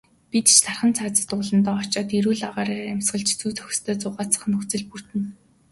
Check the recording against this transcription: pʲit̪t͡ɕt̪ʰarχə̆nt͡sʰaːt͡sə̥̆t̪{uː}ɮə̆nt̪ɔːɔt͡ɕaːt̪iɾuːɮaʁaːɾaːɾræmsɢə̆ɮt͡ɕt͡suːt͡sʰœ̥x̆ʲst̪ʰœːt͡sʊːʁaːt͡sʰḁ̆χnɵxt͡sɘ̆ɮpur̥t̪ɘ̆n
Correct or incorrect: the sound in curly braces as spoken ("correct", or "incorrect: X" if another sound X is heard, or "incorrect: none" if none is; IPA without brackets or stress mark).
incorrect: ʊː